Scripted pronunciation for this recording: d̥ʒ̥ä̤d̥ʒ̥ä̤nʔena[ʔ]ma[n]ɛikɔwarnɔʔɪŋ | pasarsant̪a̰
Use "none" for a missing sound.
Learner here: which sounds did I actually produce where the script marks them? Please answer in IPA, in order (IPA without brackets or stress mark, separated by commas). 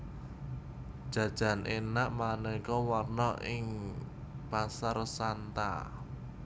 ʔ, n